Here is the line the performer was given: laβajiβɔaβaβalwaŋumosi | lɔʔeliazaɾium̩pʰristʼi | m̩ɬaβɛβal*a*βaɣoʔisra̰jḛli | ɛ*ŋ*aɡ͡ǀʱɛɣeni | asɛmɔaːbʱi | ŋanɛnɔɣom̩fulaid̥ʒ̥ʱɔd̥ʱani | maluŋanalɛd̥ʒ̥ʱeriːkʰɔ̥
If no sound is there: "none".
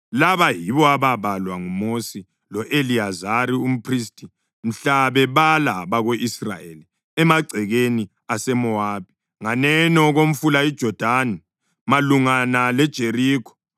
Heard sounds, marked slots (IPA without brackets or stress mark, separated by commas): a, m